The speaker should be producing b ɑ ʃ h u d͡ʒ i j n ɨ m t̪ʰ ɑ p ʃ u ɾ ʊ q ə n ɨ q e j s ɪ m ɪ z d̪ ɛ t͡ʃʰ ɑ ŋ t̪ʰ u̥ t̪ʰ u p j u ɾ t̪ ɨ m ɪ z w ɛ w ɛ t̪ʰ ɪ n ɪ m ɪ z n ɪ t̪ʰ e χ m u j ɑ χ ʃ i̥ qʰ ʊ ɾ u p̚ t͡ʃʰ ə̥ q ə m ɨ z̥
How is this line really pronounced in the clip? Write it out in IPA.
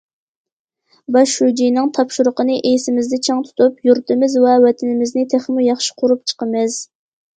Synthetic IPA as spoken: b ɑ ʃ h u d͡ʒ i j n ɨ ŋ t̪ʰ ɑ p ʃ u ɾ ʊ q ə n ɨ ʔ e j s ɪ m ɪ z d̪ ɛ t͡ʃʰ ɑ ŋ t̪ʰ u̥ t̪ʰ u p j u ɾ t̪ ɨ m ɪ z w ɛ w ɛ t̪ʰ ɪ n ɪ m ɪ z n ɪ t̪ʰ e χ m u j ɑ χ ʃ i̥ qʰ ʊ ɾ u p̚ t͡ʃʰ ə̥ q ə m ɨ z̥